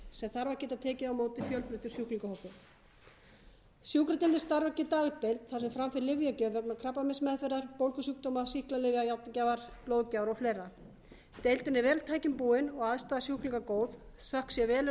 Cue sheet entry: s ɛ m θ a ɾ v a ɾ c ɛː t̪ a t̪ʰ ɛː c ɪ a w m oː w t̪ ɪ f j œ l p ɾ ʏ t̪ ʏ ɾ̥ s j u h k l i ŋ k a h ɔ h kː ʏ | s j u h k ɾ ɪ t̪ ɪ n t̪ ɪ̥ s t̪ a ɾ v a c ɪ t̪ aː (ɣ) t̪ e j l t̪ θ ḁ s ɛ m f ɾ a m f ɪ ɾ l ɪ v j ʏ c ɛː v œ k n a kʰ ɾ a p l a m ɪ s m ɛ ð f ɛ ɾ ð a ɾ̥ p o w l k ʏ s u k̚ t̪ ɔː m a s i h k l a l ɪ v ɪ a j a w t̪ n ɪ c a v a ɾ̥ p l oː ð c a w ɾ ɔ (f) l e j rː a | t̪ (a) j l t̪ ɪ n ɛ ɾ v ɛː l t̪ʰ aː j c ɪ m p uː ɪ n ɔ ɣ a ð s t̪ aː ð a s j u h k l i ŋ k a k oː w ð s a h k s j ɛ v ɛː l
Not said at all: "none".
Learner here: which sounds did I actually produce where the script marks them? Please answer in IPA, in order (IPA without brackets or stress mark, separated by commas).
ɣ, f, e